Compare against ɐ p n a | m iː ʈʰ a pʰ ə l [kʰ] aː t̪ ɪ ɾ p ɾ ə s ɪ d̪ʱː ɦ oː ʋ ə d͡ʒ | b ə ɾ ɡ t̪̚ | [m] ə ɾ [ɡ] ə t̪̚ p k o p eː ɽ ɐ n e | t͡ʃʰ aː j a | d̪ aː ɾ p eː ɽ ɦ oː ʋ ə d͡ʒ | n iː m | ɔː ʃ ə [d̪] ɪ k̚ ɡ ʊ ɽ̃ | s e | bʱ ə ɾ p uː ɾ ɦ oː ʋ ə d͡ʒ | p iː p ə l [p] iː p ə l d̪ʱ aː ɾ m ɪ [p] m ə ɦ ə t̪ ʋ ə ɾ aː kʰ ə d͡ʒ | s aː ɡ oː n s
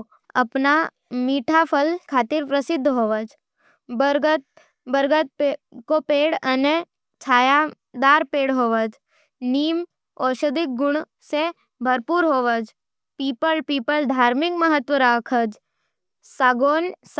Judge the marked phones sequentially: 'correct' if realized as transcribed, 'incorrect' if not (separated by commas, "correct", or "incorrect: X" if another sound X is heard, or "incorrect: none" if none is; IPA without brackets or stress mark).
correct, incorrect: b, correct, correct, correct, incorrect: k